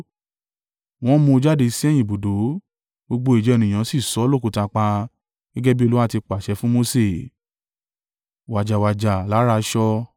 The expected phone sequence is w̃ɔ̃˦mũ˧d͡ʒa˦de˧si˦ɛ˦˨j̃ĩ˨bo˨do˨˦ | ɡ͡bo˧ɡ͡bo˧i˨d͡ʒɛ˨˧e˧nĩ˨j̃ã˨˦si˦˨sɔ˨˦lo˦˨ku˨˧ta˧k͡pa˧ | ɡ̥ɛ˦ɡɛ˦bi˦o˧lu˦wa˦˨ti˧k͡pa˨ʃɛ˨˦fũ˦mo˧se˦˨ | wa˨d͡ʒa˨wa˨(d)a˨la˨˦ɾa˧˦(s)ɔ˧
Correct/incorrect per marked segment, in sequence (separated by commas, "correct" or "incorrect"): incorrect, incorrect